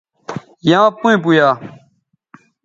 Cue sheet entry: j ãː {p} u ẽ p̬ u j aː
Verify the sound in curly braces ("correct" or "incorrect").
correct